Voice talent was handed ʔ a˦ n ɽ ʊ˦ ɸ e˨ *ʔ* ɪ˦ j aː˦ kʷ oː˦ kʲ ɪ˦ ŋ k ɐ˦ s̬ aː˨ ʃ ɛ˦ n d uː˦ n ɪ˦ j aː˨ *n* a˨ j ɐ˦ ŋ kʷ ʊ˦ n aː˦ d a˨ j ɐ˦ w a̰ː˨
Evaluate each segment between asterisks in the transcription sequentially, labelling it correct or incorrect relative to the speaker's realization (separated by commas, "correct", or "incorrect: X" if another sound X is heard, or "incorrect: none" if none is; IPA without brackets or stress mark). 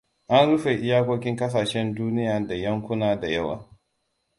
correct, incorrect: d